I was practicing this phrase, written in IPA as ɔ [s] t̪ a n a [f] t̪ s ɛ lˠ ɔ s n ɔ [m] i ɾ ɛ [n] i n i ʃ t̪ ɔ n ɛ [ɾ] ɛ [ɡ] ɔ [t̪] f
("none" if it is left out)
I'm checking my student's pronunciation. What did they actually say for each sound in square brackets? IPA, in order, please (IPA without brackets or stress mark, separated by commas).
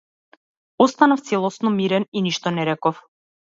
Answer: s, f, m, n, ɾ, k, none